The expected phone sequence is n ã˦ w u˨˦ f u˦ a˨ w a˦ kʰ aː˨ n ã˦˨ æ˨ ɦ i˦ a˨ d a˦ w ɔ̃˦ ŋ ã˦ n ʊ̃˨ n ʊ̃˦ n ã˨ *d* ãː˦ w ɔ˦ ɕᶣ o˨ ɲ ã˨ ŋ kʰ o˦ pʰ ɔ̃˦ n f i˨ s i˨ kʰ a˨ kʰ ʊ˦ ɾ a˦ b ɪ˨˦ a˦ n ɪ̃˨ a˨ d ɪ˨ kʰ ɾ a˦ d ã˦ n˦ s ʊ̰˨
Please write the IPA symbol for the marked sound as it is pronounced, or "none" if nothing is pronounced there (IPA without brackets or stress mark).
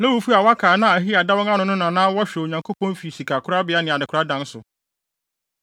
n